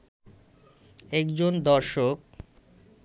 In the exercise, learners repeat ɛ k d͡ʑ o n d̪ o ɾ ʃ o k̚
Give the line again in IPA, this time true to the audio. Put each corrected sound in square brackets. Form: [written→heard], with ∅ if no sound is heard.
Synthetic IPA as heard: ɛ k d͡ʑ o n d̪ [o→ɔ] ɾ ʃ o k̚